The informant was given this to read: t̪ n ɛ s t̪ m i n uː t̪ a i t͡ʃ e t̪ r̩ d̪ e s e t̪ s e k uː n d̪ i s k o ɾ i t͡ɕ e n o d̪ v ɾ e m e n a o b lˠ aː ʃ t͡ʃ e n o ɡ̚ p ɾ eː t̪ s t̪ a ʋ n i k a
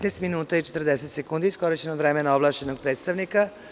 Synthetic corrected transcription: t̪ n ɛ s t̪ m i n uː t̪ a i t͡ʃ e t̪ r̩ d̪ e s e t̪ s e k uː n d̪ i s k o ɾ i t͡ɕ e n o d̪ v ɾ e m e n a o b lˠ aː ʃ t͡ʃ e n o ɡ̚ p ɾ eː t̪ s t̪ a ʋ n i k a